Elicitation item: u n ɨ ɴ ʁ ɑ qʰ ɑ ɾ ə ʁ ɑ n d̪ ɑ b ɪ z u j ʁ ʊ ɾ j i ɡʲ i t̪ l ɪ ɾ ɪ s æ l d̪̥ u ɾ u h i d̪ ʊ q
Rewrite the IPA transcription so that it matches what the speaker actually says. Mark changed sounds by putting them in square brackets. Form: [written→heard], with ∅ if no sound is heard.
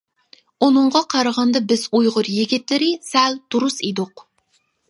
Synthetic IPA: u n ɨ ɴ ʁ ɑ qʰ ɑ ɾ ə ʁ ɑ n d̪ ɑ b ɪ z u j ʁ ʊ ɾ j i ɡʲ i t̪ l ɪ ɾ ɪ s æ l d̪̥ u ɾ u [h→s] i d̪ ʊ q